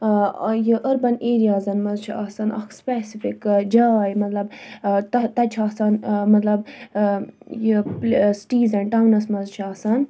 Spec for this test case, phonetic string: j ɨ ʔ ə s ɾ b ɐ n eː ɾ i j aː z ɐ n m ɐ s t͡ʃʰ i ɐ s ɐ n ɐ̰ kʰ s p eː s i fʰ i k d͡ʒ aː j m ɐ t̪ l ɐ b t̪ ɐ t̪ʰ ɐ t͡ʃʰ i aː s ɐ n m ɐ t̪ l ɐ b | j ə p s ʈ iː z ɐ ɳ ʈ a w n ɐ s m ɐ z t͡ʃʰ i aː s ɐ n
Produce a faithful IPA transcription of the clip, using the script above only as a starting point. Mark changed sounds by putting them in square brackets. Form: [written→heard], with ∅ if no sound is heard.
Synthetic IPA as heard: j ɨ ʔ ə [s→∅] ɾ b ɐ n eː ɾ i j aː z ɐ n m ɐ [s→z] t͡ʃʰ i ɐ s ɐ n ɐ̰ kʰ s p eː s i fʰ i k d͡ʒ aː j m ɐ t̪ l ɐ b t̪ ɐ [t̪ʰ→t̪] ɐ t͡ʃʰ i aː s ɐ n m ɐ t̪ l ɐ b | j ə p s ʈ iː z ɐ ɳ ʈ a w n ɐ s m ɐ z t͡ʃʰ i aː s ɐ n